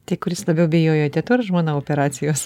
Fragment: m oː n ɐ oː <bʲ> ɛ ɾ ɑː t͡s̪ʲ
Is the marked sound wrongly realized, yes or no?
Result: yes